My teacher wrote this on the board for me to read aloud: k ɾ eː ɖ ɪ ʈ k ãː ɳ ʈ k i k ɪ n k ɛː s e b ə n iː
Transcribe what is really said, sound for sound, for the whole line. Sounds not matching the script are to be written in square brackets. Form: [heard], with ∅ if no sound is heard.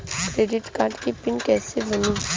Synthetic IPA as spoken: k ɾ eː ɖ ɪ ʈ k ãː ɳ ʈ k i [p] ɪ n k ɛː s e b ə n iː